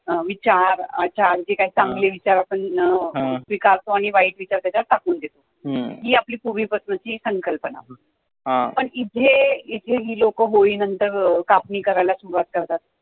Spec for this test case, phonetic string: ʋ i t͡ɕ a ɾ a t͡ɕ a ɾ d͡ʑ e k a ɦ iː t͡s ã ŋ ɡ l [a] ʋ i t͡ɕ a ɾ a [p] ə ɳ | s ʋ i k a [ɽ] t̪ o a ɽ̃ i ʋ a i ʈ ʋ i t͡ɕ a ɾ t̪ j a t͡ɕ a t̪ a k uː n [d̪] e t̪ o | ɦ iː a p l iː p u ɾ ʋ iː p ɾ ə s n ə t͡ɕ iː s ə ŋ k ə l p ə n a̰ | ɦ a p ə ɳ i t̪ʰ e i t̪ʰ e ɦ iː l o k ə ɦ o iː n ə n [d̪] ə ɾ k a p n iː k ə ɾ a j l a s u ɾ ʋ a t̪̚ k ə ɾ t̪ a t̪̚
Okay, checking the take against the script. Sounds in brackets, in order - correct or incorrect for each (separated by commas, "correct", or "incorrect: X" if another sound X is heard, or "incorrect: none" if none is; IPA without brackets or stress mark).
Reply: incorrect: e, correct, incorrect: ɾ, correct, incorrect: t̪